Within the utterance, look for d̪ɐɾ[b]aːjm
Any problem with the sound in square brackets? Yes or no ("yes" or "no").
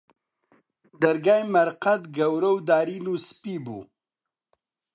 yes